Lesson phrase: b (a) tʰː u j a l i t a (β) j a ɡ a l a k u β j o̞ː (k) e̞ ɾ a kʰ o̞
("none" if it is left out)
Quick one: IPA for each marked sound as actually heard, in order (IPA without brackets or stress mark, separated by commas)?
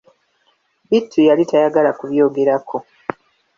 i, none, ɡ